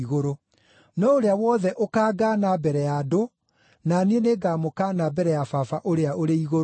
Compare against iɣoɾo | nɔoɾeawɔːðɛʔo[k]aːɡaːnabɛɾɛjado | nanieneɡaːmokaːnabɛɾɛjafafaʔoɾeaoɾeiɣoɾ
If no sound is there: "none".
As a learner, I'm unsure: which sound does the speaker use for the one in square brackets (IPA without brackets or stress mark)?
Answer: k